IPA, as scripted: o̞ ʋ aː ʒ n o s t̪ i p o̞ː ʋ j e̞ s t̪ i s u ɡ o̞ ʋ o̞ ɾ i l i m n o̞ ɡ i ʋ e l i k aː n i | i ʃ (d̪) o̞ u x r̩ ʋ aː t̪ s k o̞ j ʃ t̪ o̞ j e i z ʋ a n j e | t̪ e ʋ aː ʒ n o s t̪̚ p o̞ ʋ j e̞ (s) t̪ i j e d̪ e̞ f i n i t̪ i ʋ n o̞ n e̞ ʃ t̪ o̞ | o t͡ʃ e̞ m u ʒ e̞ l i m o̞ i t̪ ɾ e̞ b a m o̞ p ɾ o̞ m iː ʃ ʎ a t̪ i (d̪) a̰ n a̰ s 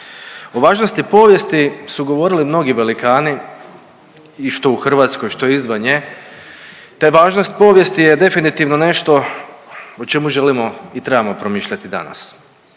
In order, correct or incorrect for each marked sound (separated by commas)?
incorrect, correct, correct